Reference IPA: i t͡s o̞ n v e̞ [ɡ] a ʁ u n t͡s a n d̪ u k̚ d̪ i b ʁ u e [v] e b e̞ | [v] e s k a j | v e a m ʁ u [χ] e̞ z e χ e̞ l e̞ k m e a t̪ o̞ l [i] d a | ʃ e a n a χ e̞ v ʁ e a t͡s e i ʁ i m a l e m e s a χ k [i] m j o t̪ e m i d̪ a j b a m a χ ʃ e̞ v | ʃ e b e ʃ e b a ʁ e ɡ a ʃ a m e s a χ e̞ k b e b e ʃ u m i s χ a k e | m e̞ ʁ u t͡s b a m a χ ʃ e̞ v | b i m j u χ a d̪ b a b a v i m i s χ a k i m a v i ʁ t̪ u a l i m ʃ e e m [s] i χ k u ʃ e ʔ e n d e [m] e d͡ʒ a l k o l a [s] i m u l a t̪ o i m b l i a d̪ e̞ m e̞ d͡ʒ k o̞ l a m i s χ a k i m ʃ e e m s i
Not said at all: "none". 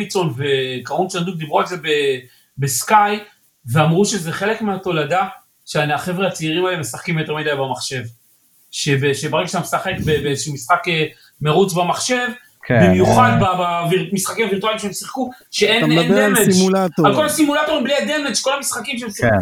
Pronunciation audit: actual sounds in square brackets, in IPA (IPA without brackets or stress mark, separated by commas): k, z, b, ʃ, a, i, s, m, s